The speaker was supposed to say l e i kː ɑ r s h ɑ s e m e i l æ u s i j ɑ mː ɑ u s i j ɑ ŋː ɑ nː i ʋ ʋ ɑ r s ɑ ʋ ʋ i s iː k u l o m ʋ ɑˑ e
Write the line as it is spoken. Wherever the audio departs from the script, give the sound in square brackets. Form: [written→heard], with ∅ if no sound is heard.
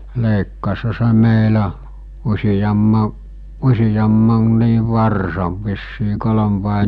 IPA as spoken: l e i kː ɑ [r→∅] s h ɑ s e m e i l æ u s i j ɑ mː ɑ u s i j ɑ [ŋː→mː] ɑ nː [i→iː] ʋ ʋ ɑ r s ɑ ʋ ʋ i [s→sː] iː k [u→o] l o m ʋ ɑˑ e